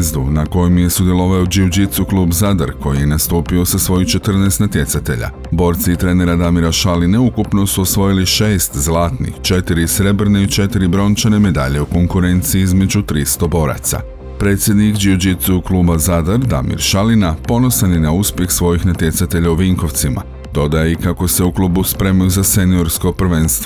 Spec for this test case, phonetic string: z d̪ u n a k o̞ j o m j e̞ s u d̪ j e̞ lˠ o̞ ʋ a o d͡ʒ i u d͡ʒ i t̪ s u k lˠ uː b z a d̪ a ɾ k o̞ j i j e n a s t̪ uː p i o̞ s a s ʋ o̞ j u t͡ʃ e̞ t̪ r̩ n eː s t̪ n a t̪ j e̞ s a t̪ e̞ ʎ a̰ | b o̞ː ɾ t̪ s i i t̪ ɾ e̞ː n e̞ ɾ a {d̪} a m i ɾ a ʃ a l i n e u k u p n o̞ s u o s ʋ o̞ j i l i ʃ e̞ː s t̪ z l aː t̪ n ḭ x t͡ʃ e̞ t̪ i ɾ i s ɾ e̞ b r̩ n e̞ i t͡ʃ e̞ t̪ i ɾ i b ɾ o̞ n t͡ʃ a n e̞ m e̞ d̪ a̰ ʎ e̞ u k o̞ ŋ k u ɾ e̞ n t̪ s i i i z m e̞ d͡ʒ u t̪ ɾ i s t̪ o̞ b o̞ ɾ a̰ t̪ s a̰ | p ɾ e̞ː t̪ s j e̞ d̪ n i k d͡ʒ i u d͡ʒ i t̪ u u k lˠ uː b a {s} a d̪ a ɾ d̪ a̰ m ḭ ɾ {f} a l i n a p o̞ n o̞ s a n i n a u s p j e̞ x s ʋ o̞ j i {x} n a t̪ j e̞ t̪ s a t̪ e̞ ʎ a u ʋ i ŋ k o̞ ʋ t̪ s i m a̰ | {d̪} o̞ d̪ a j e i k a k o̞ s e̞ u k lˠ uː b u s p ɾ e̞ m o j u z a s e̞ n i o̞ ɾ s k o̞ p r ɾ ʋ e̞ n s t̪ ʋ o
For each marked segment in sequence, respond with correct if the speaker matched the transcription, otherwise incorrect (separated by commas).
correct, incorrect, incorrect, correct, correct